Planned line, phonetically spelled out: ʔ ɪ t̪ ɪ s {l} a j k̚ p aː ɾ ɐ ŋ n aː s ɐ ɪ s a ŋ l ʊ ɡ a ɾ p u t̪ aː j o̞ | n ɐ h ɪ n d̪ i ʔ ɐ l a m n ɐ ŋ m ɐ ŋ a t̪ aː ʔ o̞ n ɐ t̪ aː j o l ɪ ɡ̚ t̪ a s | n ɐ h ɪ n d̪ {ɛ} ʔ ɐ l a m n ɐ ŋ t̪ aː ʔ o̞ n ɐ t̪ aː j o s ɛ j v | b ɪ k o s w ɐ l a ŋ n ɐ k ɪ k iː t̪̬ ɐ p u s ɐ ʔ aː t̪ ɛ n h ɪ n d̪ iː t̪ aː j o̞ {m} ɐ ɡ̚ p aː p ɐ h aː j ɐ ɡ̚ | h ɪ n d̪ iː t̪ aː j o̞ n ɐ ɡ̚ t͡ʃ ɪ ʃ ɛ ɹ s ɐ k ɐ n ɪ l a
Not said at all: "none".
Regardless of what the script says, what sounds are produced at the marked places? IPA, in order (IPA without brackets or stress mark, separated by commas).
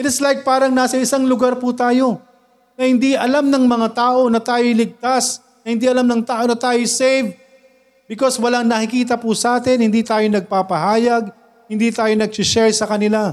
l, i, n